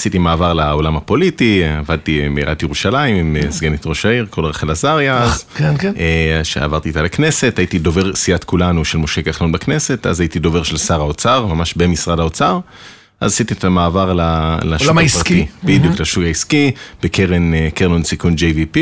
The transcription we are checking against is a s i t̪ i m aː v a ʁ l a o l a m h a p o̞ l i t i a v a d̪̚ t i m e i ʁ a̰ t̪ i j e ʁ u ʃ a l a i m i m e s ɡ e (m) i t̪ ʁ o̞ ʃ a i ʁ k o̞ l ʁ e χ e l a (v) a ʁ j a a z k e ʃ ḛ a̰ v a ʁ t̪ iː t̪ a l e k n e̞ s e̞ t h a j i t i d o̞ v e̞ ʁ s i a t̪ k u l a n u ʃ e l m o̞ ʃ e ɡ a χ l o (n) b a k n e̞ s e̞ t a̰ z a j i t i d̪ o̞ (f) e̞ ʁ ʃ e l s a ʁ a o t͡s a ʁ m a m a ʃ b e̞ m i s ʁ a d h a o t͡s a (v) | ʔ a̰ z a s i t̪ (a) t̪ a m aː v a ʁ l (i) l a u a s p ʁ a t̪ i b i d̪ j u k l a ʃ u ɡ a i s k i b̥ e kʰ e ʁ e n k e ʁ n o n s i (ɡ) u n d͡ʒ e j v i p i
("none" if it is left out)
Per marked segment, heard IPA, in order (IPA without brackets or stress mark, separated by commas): n, z, n, v, ʁ, i, a, k